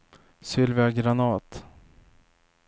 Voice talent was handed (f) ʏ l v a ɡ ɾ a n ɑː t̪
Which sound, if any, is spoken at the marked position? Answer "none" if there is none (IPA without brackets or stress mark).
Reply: s